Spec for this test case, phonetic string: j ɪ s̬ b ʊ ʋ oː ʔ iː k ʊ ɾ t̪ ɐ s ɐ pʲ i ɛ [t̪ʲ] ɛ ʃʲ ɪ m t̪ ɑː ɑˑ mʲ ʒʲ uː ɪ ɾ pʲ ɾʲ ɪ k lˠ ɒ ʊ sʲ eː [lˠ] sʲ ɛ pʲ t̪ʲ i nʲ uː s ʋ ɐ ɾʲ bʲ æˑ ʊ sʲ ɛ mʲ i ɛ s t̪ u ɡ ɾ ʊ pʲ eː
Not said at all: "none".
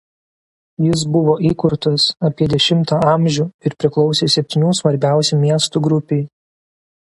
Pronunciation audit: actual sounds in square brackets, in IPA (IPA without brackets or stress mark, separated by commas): d̪ʲ, none